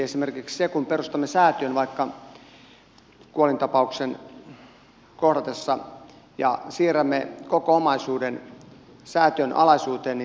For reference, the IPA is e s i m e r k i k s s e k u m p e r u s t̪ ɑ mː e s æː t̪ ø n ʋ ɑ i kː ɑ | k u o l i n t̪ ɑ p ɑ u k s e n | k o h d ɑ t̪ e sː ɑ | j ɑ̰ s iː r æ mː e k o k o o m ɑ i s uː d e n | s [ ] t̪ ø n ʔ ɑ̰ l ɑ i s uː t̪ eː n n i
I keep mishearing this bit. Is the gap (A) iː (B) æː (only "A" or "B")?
B